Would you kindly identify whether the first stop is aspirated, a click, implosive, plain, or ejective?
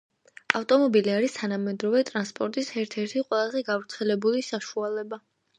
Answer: ejective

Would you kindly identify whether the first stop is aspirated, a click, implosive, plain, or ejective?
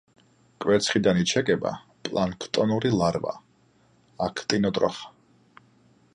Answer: ejective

